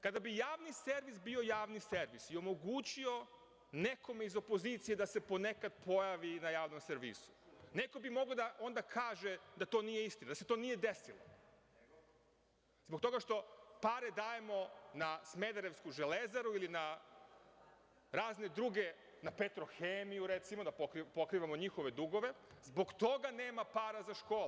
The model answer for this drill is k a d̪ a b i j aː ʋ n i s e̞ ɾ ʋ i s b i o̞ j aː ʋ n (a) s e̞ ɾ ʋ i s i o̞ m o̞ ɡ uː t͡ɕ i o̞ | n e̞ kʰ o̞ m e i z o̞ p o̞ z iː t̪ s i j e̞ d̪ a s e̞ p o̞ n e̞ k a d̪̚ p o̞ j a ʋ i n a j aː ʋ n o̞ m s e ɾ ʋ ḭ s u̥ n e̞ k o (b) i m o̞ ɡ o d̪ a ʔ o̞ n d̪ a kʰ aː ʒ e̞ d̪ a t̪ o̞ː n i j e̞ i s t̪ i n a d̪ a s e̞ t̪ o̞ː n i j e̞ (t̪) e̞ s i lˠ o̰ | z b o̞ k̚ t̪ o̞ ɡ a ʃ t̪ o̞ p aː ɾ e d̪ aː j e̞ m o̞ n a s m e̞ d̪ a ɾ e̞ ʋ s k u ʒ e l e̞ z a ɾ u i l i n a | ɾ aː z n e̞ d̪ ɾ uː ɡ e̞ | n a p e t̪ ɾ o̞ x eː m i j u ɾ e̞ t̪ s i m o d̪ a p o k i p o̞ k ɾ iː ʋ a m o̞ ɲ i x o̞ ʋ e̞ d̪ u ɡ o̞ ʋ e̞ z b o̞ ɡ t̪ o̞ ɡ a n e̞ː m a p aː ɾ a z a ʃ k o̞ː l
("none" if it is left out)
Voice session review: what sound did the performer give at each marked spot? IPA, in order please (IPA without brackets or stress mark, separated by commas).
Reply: i, b, d̪